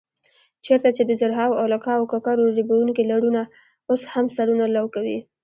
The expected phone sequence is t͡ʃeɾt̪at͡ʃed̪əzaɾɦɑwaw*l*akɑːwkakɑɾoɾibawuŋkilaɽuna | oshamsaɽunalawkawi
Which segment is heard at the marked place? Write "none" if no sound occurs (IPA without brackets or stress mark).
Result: l